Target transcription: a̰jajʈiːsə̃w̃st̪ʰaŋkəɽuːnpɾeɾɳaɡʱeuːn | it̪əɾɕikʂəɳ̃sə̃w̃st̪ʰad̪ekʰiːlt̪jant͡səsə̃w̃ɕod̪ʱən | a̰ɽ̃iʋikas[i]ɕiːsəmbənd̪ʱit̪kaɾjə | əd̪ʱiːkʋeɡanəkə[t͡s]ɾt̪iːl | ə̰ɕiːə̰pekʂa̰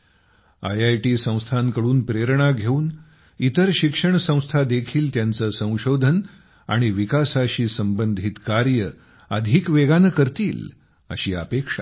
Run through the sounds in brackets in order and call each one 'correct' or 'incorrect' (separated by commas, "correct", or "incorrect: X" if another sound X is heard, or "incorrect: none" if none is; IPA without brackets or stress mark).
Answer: incorrect: a, incorrect: none